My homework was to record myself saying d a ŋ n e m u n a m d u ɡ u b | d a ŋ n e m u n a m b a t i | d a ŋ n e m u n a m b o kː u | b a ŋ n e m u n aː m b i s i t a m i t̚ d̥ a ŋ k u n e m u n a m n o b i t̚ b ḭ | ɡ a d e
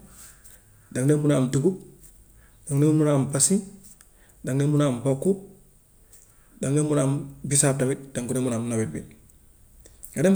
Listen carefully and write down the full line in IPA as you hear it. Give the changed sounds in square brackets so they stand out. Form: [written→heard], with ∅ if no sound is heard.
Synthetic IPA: d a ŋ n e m u n a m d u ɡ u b | d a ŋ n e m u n a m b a [t→s] i | d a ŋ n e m u n a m b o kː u | [b→d] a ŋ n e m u n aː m b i s [i→a] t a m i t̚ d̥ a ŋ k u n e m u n a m n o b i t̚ b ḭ | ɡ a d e